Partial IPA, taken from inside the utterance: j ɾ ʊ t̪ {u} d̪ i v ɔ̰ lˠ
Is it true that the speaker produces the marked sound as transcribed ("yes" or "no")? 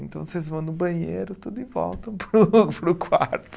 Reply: yes